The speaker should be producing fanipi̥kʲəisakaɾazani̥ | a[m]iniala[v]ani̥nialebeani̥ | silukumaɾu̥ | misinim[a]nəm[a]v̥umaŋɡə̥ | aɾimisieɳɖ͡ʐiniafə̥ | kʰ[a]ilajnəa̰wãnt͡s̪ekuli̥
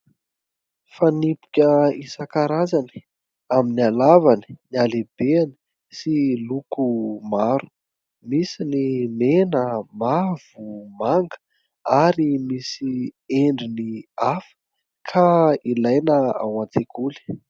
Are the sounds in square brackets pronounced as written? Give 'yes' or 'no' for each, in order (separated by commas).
yes, yes, no, yes, yes